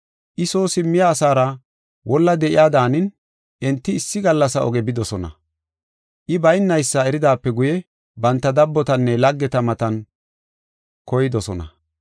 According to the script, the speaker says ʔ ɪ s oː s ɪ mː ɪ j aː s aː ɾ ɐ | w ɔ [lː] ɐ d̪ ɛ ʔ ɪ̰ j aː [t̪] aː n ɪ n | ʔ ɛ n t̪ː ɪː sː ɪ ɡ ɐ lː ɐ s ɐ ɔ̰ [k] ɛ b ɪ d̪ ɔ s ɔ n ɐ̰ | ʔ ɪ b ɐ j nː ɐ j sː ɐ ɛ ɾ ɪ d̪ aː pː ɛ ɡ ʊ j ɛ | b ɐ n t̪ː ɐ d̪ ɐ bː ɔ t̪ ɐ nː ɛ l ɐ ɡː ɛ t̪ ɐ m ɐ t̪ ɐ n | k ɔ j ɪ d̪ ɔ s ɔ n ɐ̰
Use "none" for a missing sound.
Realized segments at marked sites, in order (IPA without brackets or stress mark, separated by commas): lː, d̪, ɡ